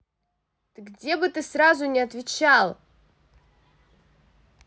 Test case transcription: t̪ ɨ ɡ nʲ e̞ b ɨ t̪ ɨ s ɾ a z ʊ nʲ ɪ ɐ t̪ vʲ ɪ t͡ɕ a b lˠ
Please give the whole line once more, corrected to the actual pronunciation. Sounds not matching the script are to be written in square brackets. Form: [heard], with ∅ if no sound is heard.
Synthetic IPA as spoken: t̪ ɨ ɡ [dʲ] e̞ b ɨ t̪ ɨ s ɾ a z ʊ nʲ ɪ ɐ t̪ vʲ ɪ t͡ɕ a [∅] lˠ